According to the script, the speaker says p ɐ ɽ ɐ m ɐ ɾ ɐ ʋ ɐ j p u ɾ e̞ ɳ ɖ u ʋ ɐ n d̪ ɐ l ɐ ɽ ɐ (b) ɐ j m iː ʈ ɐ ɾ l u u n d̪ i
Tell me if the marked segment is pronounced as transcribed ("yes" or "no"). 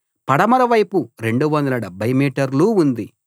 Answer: yes